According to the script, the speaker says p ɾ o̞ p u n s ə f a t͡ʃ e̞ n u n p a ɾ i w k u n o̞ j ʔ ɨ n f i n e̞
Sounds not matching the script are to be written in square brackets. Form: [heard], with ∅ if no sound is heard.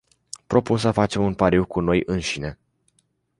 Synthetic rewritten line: p ɾ o̞ p u n s ə f a t͡ʃ e̞ [m] u n p a ɾ i w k u n o̞ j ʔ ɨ n [ʃ] i n e̞

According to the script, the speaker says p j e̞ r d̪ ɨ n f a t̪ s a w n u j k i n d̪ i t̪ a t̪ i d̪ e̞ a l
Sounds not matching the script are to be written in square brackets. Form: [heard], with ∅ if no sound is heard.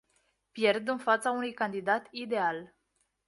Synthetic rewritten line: p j e̞ r d̪ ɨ n f a t̪ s a [u] n u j k [a] n d̪ i [d̪] a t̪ i d̪ e̞ a l

